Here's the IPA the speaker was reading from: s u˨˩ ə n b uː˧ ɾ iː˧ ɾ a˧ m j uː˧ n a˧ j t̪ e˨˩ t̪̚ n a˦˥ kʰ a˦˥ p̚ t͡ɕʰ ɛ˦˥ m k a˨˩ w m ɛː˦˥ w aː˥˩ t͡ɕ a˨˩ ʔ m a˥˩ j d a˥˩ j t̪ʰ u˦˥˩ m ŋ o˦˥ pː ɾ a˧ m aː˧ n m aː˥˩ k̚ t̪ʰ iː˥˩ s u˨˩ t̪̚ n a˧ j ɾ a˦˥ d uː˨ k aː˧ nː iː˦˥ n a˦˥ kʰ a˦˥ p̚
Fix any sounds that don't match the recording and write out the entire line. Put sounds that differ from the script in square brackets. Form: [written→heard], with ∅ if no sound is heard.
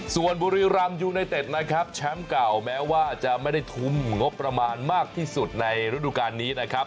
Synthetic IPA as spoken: s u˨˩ ə n b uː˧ ɾ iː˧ ɾ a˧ m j uː˧ n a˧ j t̪ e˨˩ t̪̚ n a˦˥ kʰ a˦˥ p̚ t͡ɕʰ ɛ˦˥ m k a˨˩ w m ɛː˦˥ w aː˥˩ t͡ɕ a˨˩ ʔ m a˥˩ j d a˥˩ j t̪ʰ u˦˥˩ m ŋ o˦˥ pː ɾ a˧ m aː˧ n m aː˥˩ k̚ t̪ʰ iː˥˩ s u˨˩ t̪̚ n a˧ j ɾ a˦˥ d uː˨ k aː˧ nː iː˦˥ n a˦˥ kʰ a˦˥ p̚